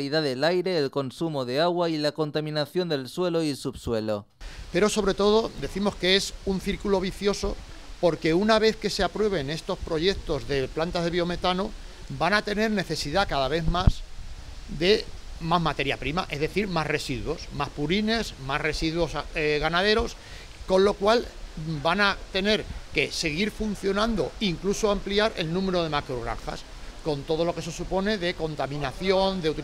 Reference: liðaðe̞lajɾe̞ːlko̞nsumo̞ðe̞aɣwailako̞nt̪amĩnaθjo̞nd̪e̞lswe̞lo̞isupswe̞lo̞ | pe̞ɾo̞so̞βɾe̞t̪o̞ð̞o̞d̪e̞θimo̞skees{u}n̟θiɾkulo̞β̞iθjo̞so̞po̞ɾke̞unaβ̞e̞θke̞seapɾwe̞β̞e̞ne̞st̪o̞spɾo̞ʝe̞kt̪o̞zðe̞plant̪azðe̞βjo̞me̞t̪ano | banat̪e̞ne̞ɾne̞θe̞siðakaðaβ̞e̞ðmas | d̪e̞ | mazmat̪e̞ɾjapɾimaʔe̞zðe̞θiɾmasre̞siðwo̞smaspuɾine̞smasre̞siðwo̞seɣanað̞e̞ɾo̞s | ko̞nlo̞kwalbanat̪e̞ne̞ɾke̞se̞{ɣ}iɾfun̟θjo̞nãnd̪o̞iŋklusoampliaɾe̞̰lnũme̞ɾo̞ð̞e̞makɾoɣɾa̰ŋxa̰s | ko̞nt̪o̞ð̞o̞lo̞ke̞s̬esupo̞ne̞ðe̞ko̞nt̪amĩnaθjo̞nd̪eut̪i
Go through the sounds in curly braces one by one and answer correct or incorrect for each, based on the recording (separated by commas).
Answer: correct, correct